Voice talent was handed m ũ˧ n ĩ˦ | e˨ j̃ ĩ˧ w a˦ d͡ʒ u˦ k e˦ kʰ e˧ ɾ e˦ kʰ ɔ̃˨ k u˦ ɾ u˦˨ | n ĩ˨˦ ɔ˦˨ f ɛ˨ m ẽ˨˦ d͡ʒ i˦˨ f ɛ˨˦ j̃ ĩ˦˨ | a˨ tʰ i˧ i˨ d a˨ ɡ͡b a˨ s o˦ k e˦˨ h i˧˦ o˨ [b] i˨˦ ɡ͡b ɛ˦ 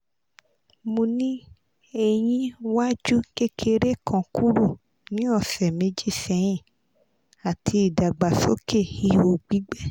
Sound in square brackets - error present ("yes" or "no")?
yes